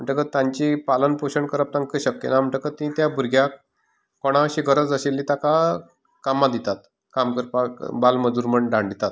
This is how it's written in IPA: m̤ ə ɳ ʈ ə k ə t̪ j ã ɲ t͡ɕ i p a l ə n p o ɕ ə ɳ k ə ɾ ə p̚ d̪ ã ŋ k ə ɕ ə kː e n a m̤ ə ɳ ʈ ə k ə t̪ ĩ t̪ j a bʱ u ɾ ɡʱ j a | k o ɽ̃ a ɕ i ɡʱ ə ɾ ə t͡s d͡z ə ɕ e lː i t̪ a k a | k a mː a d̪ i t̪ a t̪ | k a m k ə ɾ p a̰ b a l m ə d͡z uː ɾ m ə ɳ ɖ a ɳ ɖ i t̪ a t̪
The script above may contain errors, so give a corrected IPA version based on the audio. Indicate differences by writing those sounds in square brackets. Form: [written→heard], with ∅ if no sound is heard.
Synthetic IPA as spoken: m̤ ə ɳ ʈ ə k ə t̪ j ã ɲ t͡ɕ i p a l ə n p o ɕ ə ɳ k ə ɾ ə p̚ [d̪→t̪] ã ŋ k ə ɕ ə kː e n a m̤ ə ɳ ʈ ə k ə t̪ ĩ t̪ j a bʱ u ɾ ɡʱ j a | k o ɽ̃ a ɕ i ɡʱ ə ɾ ə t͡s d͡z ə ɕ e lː i t̪ a k a | k a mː a d̪ i t̪ a t̪ | k a m k ə ɾ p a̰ b a l m ə d͡z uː ɾ m ə ɳ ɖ a ɳ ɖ i t̪ a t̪